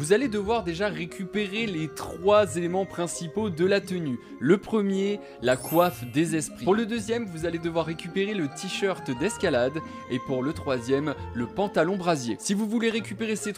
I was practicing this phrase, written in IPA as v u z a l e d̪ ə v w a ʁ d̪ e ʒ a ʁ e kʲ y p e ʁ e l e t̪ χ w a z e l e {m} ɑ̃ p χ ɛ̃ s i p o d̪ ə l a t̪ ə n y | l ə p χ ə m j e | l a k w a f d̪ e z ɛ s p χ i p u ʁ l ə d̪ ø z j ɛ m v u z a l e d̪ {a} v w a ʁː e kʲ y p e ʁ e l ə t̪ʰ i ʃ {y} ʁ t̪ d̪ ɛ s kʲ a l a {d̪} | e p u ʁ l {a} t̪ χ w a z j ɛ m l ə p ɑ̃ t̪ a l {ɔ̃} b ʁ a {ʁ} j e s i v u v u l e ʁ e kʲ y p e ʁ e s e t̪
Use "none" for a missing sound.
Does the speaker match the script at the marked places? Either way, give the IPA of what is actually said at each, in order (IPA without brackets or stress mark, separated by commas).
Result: m, ə, œ, d̪, ə, ɔ̃, z